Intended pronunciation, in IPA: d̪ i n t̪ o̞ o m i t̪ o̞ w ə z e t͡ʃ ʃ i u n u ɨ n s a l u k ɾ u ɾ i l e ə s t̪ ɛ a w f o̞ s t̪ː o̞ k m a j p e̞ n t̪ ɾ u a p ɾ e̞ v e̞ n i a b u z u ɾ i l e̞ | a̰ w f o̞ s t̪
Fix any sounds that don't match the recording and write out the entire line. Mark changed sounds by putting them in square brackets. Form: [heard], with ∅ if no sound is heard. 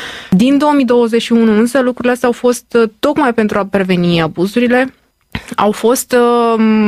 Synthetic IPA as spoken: d̪ i n [d̪] o̞ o m i [d̪] o̞ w ə z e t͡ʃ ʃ i u n u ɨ n s [ə] l u k ɾ u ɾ i l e [a] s t̪ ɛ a w f o̞ s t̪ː o̞ k m a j p e̞ n t̪ ɾ u a p ɾ e̞ v e̞ n i a b u z u ɾ i l e̞ | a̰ w f o̞ s t̪